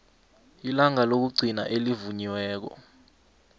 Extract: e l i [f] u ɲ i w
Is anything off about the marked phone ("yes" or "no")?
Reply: yes